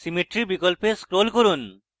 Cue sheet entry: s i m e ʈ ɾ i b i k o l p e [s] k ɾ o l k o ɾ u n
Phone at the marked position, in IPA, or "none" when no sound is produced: s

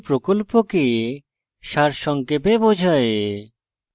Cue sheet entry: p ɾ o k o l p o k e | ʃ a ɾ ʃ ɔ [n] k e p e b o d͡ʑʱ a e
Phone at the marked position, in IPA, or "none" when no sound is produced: ŋ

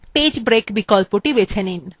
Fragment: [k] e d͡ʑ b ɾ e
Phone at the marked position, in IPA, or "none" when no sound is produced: p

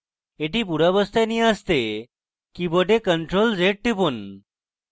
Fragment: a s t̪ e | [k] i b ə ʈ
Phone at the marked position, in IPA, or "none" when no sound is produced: k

